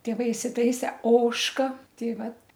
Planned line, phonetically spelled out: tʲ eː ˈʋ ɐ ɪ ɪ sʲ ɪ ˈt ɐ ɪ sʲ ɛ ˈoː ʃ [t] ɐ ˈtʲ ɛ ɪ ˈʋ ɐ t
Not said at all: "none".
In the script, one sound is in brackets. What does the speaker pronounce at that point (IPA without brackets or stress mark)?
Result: k